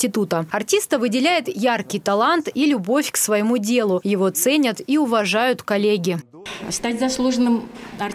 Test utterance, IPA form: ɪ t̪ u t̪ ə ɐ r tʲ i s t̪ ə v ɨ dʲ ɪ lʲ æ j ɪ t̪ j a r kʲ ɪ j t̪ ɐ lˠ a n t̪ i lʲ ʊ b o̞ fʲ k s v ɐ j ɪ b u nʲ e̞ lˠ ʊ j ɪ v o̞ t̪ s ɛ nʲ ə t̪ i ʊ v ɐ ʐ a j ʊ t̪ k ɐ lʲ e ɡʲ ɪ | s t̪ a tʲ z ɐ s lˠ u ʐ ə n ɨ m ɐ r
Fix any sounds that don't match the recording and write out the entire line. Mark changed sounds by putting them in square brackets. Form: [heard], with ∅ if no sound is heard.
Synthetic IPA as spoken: ɪ t̪ u t̪ ə ɐ r tʲ i s t̪ ə v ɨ dʲ ɪ lʲ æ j ɪ t̪ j a r kʲ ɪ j t̪ ɐ lˠ a n t̪ i lʲ ʊ b o̞ fʲ k s v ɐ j ɪ [m] u [dʲ] e̞ lˠ ʊ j ɪ v o̞ t̪ s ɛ nʲ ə t̪ i ʊ v ɐ ʐ a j ʊ t̪ k ɐ lʲ e ɡʲ ɪ | s t̪ a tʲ z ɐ s lˠ u ʐ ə n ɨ m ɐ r